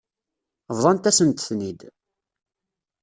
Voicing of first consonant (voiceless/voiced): voiced